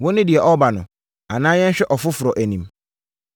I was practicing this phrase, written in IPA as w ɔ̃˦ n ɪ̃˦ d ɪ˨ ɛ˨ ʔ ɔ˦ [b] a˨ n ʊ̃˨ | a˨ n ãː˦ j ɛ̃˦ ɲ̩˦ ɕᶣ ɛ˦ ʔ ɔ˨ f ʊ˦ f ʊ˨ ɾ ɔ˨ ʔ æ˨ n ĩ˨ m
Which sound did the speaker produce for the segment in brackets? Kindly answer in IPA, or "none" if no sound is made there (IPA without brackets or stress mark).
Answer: b